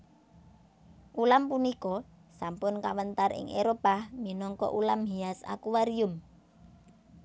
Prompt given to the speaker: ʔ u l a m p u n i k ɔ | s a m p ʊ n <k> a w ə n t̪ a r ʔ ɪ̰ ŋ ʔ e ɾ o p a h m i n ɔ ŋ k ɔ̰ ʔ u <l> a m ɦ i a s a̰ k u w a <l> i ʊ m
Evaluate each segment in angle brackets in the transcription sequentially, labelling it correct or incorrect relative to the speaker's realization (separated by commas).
correct, correct, incorrect